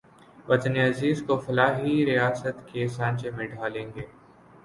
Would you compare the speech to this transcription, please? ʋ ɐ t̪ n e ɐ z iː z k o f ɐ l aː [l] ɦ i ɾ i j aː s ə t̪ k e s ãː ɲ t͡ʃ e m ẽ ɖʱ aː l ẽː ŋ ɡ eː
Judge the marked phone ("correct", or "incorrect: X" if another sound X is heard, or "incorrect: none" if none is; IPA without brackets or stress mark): incorrect: none